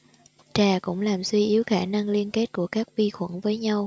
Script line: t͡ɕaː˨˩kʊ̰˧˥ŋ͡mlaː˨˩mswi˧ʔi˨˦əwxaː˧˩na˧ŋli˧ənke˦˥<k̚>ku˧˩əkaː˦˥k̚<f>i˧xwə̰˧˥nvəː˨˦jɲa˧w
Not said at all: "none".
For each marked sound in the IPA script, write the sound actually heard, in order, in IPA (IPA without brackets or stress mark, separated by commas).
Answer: t̚, v